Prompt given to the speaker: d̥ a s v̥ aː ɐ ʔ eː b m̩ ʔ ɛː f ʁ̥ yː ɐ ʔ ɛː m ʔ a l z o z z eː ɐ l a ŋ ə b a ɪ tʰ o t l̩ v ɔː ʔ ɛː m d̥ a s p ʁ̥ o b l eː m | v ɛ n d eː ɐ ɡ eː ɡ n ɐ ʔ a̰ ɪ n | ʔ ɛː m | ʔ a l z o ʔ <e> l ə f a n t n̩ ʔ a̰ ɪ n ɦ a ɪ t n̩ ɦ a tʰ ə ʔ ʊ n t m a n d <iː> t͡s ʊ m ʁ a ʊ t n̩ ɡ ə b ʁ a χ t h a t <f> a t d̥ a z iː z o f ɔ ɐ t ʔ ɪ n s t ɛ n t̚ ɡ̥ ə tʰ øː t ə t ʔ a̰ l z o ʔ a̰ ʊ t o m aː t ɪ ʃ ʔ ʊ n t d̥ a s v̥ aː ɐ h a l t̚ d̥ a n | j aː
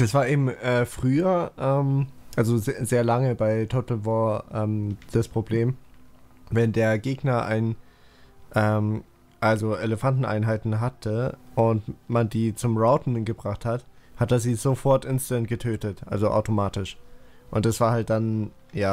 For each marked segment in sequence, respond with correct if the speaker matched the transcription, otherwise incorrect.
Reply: correct, correct, incorrect: h

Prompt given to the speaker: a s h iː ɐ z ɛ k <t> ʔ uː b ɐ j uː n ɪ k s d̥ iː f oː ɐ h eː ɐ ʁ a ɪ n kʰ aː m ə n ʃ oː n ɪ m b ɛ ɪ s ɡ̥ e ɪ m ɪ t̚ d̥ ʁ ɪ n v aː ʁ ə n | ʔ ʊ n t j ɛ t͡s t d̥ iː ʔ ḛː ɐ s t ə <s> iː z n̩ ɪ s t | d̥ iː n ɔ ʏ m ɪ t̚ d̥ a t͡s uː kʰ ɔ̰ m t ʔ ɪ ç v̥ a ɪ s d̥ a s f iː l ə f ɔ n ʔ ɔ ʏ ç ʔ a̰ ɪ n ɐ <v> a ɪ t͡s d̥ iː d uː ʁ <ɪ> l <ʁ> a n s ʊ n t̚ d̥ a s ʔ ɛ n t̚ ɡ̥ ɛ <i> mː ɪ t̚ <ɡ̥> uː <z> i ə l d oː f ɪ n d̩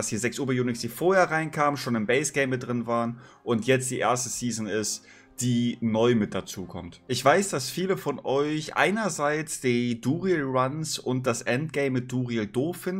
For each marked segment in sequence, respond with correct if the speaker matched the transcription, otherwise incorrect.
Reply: incorrect: s, correct, incorrect: z, incorrect: i, correct, incorrect: ɪ, incorrect: d̥, incorrect: ʁ

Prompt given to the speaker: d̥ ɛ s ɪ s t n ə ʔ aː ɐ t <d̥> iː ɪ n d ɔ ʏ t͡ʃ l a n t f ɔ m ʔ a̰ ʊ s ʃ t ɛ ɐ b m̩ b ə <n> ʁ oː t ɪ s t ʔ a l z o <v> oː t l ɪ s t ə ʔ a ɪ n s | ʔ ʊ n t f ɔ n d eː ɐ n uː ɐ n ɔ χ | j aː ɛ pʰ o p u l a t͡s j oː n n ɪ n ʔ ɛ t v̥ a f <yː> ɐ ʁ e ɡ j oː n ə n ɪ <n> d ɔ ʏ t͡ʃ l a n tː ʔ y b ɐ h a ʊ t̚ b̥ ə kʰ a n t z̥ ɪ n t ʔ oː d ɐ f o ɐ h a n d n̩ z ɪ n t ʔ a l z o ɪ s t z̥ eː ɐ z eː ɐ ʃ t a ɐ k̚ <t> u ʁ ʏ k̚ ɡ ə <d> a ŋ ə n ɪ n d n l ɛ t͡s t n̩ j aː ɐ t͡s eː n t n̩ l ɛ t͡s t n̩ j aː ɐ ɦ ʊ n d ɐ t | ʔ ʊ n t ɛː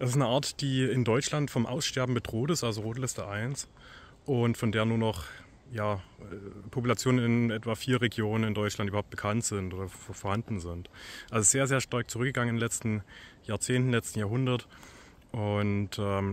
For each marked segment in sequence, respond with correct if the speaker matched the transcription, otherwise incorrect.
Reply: correct, incorrect: d, incorrect: ʁ, incorrect: iː, correct, incorrect: t͡s, incorrect: ɡ

